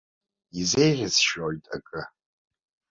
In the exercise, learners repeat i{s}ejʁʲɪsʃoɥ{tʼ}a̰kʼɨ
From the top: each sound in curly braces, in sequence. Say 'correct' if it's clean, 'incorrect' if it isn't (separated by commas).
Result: incorrect, correct